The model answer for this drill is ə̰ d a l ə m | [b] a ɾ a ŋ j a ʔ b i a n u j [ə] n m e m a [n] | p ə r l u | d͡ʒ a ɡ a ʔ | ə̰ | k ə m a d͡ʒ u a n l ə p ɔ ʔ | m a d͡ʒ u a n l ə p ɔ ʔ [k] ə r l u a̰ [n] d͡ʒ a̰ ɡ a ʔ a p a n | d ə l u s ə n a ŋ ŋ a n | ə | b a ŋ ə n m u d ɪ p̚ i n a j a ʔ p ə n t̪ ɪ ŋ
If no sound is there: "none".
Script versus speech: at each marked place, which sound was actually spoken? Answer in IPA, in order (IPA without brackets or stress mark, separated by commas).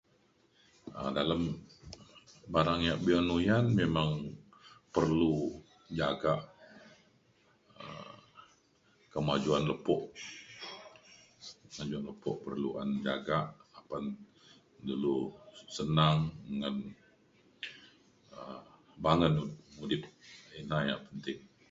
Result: b, a, ŋ, p, n